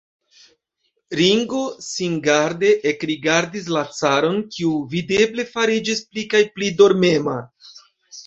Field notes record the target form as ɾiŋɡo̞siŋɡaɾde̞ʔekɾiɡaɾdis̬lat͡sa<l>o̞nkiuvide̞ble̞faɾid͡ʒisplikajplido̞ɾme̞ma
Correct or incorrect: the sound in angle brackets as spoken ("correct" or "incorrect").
incorrect